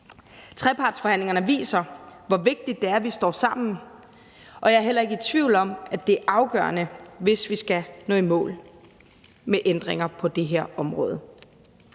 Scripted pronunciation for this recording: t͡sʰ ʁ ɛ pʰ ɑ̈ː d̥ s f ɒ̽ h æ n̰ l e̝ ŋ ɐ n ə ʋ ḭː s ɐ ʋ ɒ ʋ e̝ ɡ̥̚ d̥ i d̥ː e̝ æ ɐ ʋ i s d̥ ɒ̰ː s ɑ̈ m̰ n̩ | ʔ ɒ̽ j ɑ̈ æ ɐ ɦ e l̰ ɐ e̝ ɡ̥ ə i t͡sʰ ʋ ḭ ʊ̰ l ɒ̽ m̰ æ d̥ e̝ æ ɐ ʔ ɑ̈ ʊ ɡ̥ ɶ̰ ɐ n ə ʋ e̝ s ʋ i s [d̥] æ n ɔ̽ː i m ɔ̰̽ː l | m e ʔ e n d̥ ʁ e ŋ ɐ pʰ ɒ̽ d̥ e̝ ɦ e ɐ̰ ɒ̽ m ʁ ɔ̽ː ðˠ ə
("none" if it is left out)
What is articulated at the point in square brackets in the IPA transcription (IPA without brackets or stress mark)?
ɡ̥